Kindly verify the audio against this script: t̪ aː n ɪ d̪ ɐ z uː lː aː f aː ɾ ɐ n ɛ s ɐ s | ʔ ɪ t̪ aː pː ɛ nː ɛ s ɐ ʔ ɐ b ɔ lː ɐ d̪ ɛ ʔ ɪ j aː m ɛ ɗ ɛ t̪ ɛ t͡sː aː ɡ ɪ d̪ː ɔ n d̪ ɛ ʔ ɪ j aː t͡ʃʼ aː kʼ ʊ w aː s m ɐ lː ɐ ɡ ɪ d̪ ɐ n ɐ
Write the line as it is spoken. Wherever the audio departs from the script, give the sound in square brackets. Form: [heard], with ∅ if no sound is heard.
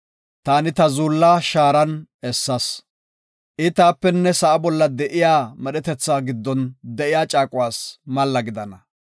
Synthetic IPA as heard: t̪ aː n ɪ [t̪] ɐ z uː lː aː [ʃ] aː ɾ ɐ n ɛ [sː] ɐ s | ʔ ɪ t̪ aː pː ɛ nː ɛ s ɐ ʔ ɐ b ɔ lː ɐ d̪ ɛ ʔ ɪ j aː m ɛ ɗ ɛ t̪ ɛ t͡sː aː ɡ ɪ d̪ː ɔ n d̪ ɛ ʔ ɪ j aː t͡ʃʼ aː kʼ ʊ w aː s m ɐ lː ɐ ɡ ɪ d̪ ɐ n ɐ